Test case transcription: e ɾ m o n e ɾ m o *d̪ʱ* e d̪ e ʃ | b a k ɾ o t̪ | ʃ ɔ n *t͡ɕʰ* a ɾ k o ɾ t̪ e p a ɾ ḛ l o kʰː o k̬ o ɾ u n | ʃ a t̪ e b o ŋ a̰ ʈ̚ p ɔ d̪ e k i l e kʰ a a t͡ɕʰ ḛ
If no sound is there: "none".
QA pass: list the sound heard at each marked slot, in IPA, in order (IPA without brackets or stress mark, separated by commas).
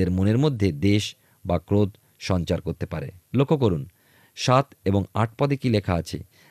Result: d̪ʱː, t͡ɕ